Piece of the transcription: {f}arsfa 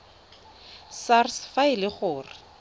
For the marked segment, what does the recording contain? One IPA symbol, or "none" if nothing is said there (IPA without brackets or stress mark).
s